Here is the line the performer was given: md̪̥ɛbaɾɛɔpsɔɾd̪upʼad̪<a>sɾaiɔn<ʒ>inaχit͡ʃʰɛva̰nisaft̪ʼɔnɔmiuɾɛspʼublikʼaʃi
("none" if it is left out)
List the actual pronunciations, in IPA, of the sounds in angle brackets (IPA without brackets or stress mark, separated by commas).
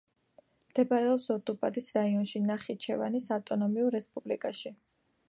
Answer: i, ʃ